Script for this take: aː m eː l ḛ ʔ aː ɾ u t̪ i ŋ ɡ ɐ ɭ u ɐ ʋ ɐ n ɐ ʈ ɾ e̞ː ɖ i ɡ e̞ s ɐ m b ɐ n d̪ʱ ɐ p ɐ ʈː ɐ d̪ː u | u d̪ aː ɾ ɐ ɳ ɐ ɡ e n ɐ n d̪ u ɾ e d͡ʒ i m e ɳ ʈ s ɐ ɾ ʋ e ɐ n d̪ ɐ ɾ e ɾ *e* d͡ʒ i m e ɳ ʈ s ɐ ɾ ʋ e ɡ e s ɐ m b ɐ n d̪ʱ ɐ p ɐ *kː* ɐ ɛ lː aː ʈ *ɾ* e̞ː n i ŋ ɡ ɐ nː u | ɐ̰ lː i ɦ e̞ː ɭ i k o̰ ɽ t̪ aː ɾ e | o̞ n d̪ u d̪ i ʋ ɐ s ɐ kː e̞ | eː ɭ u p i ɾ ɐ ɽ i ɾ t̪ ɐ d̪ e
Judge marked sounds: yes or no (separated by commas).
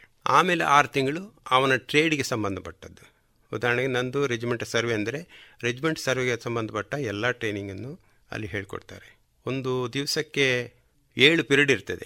yes, no, yes